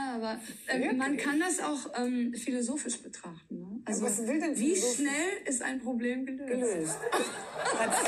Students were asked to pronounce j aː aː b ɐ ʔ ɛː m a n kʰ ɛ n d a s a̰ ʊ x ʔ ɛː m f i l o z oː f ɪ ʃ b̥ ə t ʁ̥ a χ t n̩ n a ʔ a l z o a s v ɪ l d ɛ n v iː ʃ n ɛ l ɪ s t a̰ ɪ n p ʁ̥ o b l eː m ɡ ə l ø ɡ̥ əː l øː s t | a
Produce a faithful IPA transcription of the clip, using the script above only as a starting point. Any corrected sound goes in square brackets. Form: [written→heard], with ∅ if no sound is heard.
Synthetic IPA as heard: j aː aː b ɐ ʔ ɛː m a n kʰ [ɛ→a] n d a s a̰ ʊ x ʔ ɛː m f i l o z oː f ɪ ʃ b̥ ə t ʁ̥ a χ t n̩ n [a→ə] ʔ a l z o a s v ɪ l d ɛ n v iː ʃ n ɛ l ɪ s t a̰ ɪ n p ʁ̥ o b l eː m ɡ ə l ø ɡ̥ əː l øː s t | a